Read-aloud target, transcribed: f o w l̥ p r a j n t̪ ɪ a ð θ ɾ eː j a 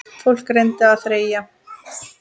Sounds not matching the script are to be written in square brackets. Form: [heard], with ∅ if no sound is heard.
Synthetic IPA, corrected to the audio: f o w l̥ [k] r [e] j n t̪ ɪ a ð θ ɾ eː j a